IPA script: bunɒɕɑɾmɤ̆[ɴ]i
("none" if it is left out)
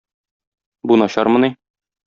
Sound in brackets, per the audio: n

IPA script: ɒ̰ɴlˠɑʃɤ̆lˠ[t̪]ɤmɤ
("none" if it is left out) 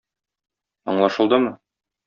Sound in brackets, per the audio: d̪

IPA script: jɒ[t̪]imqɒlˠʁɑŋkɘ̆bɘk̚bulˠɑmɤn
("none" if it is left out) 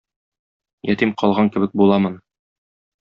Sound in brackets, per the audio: t̪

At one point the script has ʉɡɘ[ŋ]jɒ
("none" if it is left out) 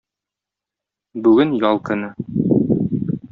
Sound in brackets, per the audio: n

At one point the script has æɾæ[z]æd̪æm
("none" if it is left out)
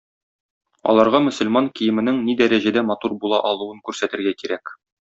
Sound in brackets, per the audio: ʑ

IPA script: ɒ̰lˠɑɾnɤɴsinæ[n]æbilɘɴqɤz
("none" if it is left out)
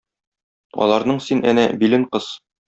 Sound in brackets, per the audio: n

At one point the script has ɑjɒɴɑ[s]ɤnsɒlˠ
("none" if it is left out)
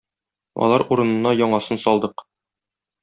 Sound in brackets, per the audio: s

